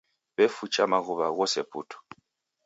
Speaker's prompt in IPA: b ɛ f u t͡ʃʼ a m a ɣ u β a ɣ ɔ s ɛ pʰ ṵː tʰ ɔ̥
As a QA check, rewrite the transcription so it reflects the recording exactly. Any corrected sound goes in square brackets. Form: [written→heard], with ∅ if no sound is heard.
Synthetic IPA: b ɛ f u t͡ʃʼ a m a ɣ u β a ɣ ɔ s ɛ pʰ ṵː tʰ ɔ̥

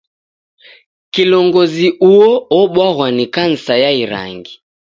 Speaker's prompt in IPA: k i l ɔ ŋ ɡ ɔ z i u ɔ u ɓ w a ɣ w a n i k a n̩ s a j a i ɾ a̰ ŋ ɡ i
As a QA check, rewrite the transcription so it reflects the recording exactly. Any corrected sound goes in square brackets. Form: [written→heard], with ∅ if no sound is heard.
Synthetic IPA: k i l ɔ ŋ ɡ ɔ z i u ɔ [u→ɔ] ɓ w a ɣ w a n i k a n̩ s a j a i ɾ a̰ ŋ ɡ i

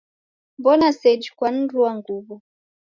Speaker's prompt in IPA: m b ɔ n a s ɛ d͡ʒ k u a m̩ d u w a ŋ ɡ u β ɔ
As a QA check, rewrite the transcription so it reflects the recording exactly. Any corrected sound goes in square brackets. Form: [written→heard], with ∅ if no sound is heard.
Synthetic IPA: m b ɔ n a s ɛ d͡ʒ k [u→w] a [m̩→n̩] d u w a ŋ ɡ u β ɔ

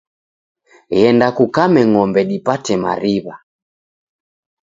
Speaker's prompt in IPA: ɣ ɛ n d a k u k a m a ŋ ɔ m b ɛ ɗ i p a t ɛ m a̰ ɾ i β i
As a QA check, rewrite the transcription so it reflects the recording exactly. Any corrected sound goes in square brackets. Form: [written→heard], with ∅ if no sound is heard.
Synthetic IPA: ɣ ɛ n d a k u k a m [a→ɛ] ŋ ɔ m b ɛ ɗ i p a t ɛ m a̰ ɾ i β [i→a]

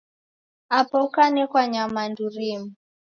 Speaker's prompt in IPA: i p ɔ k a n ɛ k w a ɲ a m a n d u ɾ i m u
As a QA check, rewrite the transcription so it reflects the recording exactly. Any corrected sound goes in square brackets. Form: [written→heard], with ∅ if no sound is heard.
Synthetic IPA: [i→a] p ɔ k a n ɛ k w a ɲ a m a n d u ɾ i m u

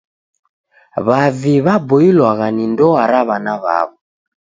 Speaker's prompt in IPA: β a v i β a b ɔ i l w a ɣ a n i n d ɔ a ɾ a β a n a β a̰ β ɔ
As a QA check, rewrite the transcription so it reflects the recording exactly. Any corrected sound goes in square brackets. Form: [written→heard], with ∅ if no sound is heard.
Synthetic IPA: β a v i β a b ɔ i l w a ɣ a n i n d ɔ a ɾ a β a n a β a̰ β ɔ

